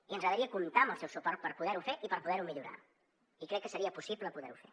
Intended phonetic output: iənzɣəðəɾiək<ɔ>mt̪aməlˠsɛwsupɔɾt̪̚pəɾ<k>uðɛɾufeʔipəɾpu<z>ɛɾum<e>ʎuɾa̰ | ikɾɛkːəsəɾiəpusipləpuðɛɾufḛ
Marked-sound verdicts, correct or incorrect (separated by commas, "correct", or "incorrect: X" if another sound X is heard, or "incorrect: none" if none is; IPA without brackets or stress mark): incorrect: u, incorrect: p, incorrect: ð, incorrect: i